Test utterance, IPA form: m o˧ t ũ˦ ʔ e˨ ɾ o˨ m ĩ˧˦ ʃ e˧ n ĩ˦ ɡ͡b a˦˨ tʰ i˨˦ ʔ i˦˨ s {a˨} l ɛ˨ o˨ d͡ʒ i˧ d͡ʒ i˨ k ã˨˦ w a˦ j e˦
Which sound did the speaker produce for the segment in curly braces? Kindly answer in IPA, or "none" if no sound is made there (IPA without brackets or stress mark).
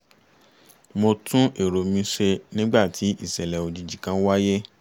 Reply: ɛ˨